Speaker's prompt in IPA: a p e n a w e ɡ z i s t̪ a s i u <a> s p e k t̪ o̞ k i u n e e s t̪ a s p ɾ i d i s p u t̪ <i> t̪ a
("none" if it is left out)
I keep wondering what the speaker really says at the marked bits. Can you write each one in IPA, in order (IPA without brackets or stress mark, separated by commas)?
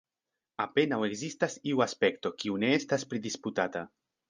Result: a, a